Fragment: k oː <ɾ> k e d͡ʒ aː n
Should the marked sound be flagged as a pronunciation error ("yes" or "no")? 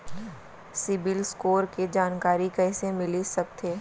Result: no